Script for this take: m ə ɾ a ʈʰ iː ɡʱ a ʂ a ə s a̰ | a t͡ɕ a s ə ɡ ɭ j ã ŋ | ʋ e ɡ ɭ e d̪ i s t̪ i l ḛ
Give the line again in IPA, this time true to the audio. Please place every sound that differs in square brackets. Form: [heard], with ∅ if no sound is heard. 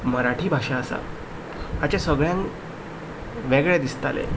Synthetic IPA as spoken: m ə ɾ a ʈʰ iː [bʱ] a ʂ a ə s a̰ | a t͡ɕ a s ə ɡ ɭ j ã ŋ | ʋ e ɡ ɭ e d̪ i s t̪ [a] l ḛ